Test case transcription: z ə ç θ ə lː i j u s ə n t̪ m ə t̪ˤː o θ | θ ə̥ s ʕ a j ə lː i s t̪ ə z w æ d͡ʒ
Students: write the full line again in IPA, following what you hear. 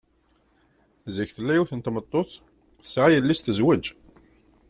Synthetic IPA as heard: z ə ç θ ə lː æ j u θ ə n t̪ m ə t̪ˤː o θ | θ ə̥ s ʕ a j ə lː i s t̪ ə z w æ d͡ʒ